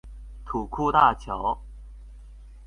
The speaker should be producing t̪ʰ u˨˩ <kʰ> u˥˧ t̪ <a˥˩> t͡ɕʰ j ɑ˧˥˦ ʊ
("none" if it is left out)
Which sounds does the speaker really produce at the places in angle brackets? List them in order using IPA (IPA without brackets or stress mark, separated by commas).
kʰ, a˥˩